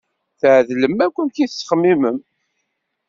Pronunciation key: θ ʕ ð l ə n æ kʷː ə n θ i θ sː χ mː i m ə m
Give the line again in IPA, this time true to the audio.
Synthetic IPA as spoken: θ ʕ ð l ə m æ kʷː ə n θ i θ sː χ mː i m ə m